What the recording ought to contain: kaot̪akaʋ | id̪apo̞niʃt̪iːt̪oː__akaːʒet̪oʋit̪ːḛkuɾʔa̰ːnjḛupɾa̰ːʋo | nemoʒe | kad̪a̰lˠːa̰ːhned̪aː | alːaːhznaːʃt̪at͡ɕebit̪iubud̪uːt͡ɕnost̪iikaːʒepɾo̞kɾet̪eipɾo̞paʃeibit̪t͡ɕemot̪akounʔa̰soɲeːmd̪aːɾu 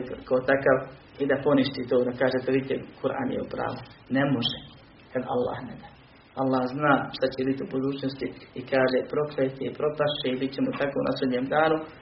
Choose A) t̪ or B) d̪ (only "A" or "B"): B